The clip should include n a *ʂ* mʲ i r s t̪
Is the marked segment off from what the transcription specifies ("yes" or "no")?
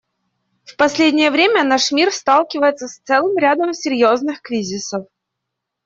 no